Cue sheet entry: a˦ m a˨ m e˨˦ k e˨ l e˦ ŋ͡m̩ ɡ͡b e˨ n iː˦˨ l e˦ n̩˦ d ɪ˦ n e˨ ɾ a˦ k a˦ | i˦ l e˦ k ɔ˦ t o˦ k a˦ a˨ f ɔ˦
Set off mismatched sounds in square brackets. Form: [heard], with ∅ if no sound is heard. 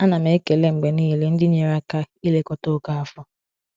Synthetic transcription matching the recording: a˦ [n] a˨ m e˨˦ k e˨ l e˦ ŋ͡m̩ ɡ͡b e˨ n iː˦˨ l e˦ n̩˦ d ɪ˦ [ɲ] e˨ ɾ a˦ k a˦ | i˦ l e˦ k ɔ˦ t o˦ k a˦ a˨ f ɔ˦